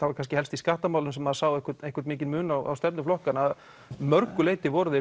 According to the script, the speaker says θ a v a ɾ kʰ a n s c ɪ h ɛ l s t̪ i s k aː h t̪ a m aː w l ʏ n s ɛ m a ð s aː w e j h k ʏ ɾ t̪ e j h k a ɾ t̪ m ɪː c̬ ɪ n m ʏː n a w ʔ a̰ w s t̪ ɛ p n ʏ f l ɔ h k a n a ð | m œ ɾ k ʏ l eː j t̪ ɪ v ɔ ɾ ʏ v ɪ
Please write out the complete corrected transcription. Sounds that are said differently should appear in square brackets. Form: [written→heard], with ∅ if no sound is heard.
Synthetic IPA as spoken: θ a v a ɾ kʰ a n s c ɪ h ɛ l s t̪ i s k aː h t̪ a m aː w l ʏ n s ɛ m a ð s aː w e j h k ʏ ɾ t̪ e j h k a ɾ t̪ m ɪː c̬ ɪ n m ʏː n a w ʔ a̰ w s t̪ ɛ p n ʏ f l ɔ h k a n a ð | m œ ɾ k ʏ l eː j t̪ ɪ v ɔ ɾ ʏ [v→ð] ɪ